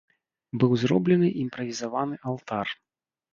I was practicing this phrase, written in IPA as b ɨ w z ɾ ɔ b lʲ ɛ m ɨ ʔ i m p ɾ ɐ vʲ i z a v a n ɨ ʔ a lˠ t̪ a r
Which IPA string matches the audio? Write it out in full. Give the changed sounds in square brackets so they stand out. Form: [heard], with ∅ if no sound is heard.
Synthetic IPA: b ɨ w z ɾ ɔ b lʲ ɛ [n] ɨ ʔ i m p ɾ ɐ vʲ i z a v a n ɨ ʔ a lˠ t̪ a r